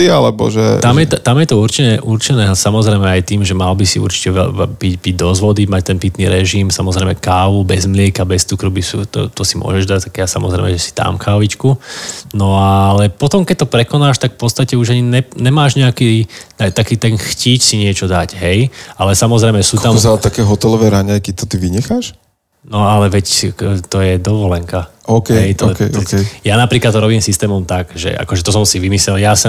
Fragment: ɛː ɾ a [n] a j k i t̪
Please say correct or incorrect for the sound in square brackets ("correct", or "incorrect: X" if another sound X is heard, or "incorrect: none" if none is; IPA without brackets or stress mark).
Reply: incorrect: ɲ